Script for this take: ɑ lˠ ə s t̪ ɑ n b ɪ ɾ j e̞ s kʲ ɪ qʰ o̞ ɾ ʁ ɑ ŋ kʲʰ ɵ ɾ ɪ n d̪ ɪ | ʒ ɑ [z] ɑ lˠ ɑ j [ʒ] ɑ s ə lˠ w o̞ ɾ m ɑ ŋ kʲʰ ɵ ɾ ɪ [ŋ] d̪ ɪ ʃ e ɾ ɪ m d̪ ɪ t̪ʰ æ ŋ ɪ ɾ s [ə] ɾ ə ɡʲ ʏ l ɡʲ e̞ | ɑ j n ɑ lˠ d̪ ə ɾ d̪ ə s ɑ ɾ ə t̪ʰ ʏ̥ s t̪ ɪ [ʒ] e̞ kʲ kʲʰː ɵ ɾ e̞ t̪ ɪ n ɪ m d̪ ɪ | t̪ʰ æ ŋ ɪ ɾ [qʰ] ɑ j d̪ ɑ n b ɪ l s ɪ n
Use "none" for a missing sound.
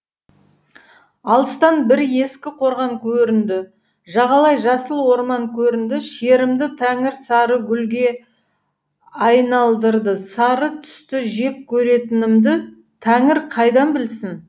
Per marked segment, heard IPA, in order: ʁ, ʒ, n, ɑ, ʒ, qʰ

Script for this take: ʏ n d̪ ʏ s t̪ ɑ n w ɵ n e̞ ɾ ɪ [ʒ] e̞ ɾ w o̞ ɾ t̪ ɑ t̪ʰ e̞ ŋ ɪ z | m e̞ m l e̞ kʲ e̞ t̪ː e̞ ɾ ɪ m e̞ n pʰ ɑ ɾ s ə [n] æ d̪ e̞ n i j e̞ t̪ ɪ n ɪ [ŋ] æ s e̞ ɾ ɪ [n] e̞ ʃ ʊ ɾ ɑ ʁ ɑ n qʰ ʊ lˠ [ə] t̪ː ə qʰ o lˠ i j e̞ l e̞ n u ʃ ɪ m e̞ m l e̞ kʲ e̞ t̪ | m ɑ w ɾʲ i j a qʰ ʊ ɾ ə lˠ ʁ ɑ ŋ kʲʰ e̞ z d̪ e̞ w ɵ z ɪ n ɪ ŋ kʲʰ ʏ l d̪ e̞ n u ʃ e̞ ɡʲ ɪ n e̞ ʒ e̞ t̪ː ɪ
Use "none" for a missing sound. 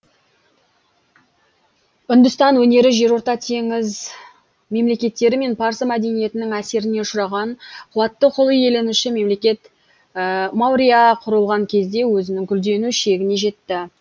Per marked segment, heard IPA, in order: ʒ, m, ŋ, n, ɑ

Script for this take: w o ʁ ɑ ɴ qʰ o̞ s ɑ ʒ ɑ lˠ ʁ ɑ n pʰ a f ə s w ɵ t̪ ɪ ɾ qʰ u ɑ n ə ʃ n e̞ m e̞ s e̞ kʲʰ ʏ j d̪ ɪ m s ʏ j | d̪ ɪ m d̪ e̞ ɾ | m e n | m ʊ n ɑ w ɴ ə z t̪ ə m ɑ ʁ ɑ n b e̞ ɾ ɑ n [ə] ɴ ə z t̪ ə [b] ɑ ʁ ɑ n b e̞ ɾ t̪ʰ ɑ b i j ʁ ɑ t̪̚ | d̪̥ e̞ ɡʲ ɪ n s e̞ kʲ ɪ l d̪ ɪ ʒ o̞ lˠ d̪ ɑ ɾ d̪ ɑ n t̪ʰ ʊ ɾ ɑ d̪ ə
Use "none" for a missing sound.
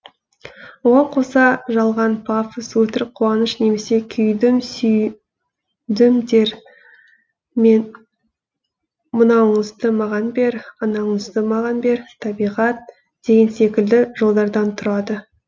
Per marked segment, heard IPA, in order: ɑ, m

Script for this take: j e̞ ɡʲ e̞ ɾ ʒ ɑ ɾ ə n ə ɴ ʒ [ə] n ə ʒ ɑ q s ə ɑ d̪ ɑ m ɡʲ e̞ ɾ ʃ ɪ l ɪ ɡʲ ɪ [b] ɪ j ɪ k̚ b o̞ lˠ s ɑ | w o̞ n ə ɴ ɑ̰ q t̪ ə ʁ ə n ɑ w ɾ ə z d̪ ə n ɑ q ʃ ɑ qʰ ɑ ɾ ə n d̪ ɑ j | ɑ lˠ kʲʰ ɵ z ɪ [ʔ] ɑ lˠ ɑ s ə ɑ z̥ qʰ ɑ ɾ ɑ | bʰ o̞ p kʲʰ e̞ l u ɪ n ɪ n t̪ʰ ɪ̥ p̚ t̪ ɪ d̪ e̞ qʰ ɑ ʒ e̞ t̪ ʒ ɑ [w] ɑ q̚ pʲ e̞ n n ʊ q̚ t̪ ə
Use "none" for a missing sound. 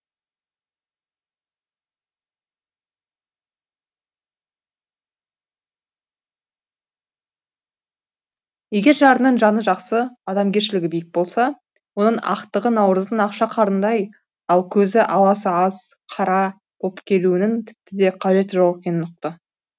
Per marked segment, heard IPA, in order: ɑ, b, ʔ, w

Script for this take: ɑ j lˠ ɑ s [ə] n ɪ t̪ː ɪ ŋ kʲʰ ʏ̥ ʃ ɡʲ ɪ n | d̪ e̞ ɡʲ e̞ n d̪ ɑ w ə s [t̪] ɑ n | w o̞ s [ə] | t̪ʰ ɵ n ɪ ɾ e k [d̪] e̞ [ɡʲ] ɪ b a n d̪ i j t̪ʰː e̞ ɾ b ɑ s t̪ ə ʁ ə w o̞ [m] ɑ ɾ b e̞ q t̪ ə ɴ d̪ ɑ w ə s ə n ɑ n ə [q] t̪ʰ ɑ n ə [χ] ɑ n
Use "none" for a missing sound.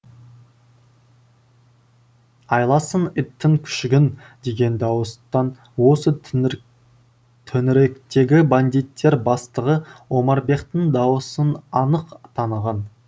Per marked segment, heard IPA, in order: ə, t̪, ə, t̪, ɡʲ, m, q, ʁ

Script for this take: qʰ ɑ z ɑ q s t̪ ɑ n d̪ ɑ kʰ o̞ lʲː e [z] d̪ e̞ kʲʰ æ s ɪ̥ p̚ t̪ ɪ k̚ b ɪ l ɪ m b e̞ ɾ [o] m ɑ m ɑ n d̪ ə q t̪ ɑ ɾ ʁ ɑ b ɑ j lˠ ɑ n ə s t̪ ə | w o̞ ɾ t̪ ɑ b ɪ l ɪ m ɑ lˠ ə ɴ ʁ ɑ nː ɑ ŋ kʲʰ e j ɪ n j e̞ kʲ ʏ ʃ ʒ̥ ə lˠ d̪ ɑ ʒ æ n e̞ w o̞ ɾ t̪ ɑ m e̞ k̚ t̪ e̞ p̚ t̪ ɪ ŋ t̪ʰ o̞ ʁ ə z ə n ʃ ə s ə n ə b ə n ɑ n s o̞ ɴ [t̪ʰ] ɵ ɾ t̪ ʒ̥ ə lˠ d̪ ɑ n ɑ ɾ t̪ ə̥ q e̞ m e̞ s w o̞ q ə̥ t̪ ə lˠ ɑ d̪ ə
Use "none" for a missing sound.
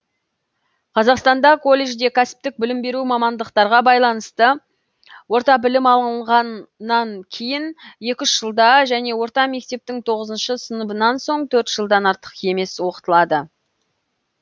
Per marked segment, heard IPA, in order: ʒ, u, t̪ʰ

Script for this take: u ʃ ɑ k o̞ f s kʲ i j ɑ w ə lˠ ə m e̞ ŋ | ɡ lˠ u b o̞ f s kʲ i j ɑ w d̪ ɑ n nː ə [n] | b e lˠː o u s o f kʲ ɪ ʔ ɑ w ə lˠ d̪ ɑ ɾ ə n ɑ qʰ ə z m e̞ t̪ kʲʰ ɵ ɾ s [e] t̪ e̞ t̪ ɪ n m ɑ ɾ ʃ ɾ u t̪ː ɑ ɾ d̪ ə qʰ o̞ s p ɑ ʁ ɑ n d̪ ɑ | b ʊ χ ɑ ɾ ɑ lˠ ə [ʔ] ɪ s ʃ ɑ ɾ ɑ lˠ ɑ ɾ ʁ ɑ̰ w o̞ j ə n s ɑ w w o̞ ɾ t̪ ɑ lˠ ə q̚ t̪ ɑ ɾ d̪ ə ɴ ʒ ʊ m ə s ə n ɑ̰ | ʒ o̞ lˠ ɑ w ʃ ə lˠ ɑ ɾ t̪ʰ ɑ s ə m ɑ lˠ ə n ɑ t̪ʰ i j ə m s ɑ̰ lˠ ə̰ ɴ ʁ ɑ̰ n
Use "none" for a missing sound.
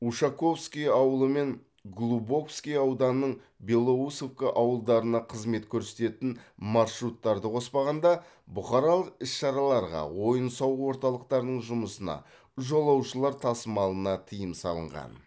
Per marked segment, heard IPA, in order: ɴ, e, q

